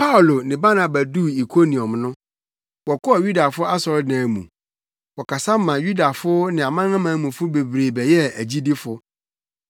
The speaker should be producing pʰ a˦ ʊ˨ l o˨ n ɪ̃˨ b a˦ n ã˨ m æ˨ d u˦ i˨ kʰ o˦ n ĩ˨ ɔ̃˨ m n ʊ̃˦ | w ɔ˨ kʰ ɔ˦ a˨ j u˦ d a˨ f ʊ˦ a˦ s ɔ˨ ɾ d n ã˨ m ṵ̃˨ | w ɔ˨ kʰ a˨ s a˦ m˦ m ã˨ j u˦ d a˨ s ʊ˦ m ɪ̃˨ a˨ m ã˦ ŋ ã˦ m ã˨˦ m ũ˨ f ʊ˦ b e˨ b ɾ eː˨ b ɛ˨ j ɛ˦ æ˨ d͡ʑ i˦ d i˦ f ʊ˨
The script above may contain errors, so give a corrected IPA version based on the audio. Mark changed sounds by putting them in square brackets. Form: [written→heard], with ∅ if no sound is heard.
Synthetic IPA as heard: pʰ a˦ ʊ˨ l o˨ n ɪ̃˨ b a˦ n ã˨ [m→b] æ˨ d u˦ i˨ kʰ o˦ n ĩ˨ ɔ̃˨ m n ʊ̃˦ | w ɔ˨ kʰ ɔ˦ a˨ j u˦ d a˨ f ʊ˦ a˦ s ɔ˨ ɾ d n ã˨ m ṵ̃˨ | w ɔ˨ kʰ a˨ s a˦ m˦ m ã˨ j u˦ d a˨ [s→f] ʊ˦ [m→n] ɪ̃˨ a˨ m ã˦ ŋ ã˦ m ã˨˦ m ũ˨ f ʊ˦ b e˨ b ɾ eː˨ b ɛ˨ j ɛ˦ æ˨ d͡ʑ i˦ d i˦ f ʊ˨